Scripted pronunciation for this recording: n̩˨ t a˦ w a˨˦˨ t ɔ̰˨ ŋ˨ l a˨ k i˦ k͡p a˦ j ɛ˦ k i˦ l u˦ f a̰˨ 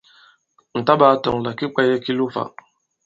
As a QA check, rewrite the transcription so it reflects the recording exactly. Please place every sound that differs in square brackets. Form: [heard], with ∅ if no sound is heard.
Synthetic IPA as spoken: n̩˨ t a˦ [b] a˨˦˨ t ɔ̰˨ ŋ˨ l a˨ k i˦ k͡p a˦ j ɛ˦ k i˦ l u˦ f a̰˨

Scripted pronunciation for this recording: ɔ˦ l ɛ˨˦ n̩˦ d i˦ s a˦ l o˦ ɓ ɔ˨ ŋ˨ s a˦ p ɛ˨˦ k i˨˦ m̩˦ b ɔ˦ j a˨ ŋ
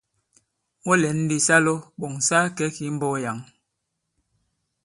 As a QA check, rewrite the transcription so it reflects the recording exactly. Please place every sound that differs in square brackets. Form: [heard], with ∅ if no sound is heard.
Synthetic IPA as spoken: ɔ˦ l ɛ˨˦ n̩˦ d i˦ s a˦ l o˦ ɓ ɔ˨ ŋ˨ s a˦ [k] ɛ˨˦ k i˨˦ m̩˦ b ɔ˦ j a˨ ŋ

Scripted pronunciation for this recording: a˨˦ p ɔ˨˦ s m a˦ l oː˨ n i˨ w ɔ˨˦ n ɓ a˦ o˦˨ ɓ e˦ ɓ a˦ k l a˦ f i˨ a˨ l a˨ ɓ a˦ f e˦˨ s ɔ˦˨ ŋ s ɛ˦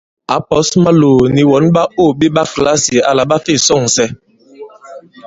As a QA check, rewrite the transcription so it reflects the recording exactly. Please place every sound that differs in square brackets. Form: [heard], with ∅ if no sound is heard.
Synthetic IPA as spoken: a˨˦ p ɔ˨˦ s m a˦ l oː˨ n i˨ w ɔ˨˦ n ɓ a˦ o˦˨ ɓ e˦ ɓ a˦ k l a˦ [s] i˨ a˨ l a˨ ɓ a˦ f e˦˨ s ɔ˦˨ ŋ s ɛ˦

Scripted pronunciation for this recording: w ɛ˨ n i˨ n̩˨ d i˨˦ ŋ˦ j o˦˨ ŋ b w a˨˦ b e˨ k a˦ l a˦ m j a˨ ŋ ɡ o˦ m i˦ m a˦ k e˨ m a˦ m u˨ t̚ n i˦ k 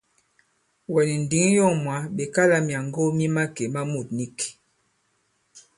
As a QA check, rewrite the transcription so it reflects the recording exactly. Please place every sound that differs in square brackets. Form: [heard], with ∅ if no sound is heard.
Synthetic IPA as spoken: w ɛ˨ n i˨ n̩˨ d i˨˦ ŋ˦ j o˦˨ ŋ [m] w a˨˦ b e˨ k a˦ l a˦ m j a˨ ŋ ɡ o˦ m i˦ m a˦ k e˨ m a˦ m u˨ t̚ n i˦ k

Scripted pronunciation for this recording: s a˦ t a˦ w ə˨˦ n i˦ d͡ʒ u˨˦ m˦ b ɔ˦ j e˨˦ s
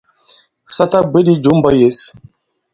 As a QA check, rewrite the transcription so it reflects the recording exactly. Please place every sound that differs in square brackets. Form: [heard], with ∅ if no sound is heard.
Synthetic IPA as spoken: s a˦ t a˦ [b] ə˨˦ [d] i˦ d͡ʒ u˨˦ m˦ b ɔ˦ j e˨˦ s

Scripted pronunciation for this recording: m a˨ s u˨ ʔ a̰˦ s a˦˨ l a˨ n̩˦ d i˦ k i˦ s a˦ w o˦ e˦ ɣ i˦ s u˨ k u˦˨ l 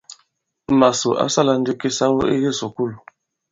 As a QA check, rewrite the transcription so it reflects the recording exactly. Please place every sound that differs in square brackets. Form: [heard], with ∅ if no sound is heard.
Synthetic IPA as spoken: m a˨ s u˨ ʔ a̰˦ s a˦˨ l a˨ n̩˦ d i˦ k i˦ s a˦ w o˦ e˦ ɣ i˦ s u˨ k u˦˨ l

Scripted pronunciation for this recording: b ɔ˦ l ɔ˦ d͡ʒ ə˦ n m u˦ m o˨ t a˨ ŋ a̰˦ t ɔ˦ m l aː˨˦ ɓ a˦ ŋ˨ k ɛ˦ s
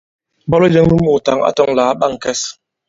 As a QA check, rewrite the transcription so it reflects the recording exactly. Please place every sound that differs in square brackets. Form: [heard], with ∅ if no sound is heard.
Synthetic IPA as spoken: b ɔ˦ l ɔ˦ d͡ʒ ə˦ [ŋ] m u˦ m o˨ t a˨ ŋ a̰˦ t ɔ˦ [ŋ] l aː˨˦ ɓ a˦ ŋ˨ k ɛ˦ s

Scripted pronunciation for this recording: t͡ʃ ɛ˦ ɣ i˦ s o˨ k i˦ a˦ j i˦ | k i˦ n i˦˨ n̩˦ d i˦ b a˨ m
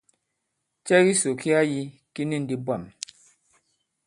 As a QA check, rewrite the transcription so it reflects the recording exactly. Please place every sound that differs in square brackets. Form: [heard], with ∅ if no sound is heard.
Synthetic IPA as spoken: t͡ʃ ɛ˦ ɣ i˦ s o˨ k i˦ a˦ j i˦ | k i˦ n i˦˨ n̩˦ d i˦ b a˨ m

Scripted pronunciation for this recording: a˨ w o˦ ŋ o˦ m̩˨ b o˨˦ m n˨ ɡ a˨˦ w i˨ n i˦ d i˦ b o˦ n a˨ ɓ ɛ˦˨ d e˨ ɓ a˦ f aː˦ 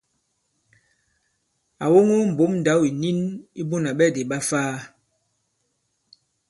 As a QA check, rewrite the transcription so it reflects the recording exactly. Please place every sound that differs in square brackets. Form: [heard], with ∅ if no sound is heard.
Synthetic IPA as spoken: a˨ w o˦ ŋ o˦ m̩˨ b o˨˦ m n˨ [d] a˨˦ w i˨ n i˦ [n] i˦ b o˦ n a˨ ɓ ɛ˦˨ d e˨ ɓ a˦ f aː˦

